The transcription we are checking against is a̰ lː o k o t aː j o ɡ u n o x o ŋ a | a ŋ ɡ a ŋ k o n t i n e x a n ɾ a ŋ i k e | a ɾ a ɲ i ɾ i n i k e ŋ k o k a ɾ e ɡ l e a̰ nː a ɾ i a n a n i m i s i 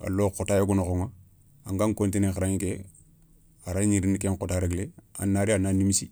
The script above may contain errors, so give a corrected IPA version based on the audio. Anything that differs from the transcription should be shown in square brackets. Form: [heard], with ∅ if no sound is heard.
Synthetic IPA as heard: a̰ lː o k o t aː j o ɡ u n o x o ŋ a | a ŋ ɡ a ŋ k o n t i n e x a [∅] ɾ a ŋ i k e | a ɾ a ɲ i ɾ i n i k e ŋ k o [t] a ɾ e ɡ l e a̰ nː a ɾ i a n a n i m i s i